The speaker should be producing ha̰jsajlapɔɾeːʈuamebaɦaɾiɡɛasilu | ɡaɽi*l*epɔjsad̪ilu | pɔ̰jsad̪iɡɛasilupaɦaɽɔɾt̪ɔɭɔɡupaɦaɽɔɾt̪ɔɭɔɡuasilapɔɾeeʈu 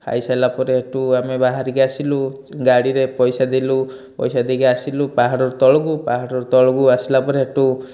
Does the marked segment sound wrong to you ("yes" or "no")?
yes